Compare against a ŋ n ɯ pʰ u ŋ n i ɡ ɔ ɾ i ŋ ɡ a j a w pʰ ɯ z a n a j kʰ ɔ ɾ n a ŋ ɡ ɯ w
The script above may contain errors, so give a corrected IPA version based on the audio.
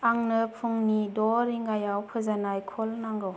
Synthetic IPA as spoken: a ŋ n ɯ pʰ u ŋ n i d ɔ ɾ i ŋ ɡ a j a w pʰ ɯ z a n a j kʰ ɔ l n a ŋ ɡ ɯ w